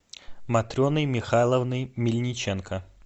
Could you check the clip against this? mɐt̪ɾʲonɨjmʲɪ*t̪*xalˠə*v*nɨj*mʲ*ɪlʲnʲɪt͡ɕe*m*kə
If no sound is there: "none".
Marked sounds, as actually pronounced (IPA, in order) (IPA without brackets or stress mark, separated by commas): none, v, mʲ, n